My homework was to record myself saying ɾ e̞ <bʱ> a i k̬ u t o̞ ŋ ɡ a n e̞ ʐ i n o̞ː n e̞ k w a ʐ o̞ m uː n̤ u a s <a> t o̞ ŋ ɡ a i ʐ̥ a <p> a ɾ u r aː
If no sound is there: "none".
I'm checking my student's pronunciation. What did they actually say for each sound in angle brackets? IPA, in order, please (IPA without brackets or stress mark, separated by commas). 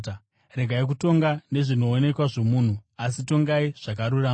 ɡʱ, i, k